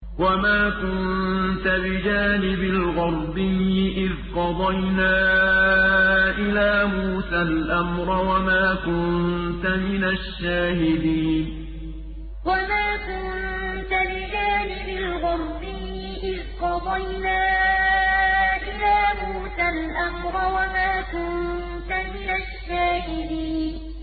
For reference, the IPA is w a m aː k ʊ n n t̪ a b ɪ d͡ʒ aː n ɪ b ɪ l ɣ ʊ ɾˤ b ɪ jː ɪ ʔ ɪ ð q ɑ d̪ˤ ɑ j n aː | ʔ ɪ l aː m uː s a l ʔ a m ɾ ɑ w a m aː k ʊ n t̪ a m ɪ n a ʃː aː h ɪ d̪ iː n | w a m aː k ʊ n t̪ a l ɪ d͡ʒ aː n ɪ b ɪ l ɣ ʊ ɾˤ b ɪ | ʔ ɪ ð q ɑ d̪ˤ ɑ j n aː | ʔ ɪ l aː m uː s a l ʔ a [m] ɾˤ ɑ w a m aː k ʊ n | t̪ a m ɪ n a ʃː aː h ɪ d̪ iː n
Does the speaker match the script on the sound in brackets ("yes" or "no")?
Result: yes